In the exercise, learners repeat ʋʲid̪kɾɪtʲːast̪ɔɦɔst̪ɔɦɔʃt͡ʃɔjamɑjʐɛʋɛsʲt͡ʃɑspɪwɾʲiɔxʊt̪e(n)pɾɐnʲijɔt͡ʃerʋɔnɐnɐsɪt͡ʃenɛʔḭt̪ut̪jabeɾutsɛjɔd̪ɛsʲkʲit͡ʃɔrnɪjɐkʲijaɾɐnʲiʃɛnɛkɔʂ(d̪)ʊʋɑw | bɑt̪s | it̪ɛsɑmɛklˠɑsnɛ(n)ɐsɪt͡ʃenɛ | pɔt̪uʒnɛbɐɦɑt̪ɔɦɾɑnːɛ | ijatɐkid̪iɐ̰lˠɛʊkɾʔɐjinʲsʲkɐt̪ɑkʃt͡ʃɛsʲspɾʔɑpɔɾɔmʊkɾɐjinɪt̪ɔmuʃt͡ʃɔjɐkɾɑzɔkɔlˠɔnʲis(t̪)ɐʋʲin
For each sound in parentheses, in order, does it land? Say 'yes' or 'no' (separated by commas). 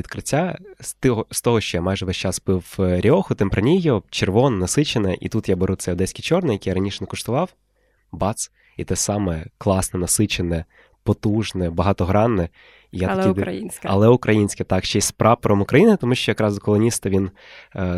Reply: no, no, yes, yes